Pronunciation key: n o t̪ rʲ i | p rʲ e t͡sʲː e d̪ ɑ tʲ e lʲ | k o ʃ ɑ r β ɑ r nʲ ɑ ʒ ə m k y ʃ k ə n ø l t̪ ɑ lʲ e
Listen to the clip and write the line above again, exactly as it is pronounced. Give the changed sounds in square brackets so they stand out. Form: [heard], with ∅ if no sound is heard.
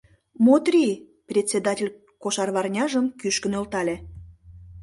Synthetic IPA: [m] o t̪ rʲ i | p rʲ e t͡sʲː e d̪ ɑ tʲ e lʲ | k o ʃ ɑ r β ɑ r nʲ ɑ ʒ ə m k y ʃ k ə n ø l t̪ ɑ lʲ e

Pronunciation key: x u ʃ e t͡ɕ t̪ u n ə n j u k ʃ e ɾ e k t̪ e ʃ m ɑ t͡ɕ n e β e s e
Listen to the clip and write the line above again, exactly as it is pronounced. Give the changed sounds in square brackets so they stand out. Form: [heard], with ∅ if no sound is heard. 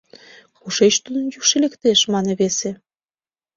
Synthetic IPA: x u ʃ e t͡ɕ t̪ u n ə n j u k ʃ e [l] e k t̪ e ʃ m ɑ [∅] n e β e s e

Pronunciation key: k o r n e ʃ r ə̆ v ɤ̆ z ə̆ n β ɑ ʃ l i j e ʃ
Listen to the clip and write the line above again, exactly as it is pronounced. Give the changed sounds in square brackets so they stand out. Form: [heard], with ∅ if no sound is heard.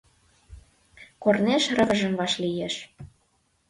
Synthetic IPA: k o r n e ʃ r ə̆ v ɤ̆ [ʒ] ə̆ [m] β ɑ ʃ l i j e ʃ

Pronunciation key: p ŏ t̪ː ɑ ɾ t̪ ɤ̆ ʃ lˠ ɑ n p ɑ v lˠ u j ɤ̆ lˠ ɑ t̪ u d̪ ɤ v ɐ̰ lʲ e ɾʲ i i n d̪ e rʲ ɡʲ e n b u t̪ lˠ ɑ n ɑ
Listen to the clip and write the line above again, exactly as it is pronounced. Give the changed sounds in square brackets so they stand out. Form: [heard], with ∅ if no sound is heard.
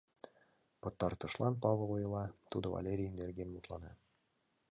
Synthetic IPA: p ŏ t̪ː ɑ ɾ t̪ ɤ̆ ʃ lˠ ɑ n p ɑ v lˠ u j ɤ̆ lˠ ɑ t̪ u d̪ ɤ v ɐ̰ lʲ e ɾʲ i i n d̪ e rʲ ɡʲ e n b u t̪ lˠ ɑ n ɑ

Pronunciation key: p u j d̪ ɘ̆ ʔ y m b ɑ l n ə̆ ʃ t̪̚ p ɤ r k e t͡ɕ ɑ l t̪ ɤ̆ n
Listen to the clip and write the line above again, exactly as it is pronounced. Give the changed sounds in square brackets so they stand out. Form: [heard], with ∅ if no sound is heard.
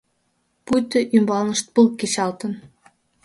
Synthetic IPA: p u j [t̪] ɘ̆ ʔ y m b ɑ l n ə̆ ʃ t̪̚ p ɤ [l] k e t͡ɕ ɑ l t̪ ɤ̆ n

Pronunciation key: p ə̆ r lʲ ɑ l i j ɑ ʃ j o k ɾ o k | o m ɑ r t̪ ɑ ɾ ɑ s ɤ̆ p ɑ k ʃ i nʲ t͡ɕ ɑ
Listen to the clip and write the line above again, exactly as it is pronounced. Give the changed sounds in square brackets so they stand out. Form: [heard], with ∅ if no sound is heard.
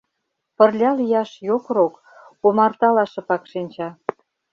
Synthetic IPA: p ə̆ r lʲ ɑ l i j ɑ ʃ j o k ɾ o k | o m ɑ r t̪ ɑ [l] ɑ [ʃ] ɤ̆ p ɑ k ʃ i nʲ t͡ɕ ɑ

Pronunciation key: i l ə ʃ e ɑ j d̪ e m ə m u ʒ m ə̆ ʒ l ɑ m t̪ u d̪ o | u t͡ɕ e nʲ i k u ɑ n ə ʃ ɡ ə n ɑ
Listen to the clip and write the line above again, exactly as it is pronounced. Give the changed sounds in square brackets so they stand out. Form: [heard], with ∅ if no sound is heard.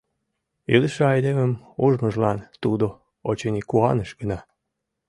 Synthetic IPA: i l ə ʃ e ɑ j d̪ e m ə m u ʒ m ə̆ ʒ l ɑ [n] t̪ u d̪ o | [o] t͡ɕ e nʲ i k u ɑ n ə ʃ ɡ ə n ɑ

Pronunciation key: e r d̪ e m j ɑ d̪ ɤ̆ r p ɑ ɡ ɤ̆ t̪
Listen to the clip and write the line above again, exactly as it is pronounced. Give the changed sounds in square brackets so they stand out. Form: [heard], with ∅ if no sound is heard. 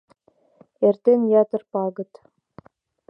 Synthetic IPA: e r [t̪] e [n] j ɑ [t̪] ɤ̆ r p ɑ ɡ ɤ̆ t̪

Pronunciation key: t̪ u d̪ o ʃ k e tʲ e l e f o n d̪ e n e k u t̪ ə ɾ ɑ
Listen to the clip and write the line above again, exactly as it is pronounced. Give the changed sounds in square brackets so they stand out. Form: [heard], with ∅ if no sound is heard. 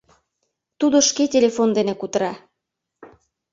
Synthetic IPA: t̪ u d̪ o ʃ k e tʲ e l e f o n d̪ e n e k u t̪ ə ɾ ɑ

